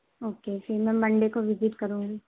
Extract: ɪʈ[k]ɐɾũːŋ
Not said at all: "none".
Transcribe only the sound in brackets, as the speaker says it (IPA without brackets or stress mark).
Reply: k